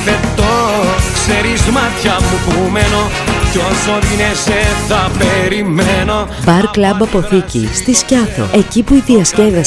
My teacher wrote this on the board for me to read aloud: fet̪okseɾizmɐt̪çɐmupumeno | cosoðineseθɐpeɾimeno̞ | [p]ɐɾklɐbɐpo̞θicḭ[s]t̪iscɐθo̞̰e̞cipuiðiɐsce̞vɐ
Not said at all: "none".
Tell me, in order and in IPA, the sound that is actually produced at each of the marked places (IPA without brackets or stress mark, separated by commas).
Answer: b, s